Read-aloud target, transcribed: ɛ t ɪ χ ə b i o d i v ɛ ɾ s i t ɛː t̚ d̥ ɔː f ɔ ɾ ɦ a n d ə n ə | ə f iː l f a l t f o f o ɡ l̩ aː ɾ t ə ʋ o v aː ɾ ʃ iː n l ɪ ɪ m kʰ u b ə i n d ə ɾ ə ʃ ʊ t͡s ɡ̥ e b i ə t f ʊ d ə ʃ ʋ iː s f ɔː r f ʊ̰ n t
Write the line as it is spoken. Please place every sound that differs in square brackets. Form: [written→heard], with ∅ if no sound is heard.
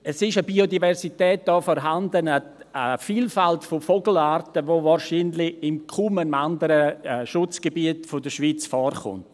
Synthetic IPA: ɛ [t→s] ɪ [χ→ʃ] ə b i o d i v ɛ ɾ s i t ɛː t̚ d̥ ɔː f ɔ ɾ ɦ a n d ə n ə | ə f iː l f a l t f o f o ɡ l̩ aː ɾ t ə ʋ o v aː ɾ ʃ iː n l ɪ ɪ m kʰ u [b→m] ə [i→a] n d ə ɾ ə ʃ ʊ t͡s ɡ̥ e b i ə t f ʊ d ə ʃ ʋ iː [s→t͡s] f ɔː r [f→χ] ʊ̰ n t